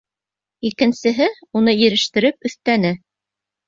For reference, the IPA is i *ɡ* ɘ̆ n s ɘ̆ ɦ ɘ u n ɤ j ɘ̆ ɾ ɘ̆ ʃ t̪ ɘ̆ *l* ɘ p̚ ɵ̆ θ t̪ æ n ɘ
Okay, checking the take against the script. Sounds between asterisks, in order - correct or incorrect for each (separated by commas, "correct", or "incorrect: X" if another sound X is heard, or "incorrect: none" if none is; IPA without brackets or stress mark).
incorrect: k, incorrect: ɾ